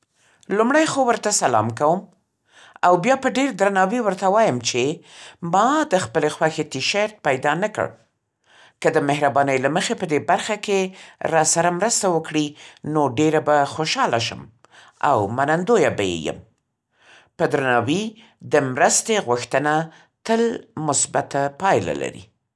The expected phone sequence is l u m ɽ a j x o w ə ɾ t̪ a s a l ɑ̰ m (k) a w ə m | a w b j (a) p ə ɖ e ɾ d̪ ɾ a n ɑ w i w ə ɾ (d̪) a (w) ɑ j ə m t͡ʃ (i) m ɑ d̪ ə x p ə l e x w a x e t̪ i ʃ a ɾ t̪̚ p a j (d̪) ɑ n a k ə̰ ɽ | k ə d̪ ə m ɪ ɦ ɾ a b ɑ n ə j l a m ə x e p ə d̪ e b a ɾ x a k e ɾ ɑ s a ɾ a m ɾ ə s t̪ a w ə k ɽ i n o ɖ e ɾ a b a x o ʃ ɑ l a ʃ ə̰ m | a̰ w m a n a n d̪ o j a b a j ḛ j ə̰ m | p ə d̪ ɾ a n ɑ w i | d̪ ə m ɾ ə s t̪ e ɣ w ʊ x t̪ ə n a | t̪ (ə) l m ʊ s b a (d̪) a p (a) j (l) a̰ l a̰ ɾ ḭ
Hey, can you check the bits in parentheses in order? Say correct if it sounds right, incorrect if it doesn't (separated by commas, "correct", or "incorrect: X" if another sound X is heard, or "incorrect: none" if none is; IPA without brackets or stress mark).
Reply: correct, incorrect: ɑ, incorrect: t̪, correct, incorrect: e, correct, correct, incorrect: t̪, incorrect: ɑ, correct